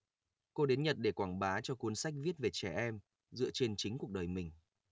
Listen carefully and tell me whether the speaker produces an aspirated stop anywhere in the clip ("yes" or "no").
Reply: no